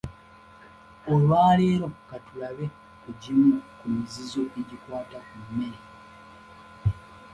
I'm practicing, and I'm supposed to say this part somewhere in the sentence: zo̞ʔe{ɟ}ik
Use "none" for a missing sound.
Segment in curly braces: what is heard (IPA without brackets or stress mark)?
ɟ